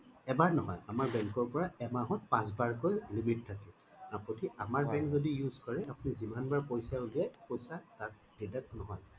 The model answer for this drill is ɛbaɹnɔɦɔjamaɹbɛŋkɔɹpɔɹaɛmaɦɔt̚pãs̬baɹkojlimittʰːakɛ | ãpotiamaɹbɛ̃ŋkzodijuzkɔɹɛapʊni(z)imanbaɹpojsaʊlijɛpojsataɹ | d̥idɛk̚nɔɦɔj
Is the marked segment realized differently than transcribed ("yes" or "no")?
no